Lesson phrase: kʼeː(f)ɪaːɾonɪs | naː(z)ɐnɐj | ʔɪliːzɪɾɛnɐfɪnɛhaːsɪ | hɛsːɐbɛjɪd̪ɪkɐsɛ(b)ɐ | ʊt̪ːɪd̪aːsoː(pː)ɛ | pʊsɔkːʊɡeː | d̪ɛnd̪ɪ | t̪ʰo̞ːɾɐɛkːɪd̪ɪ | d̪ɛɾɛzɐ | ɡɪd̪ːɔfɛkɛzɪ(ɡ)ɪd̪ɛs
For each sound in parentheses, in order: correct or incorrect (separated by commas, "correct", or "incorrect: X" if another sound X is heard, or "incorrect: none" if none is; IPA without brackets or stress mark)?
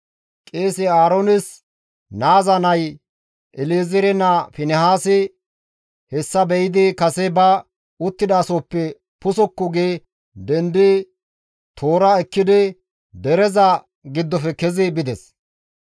incorrect: s, correct, correct, correct, incorrect: b